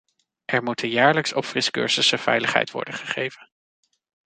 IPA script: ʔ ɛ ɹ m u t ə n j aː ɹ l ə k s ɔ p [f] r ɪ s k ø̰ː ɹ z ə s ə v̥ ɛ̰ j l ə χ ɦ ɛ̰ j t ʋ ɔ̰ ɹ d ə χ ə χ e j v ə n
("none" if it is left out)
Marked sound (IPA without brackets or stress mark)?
f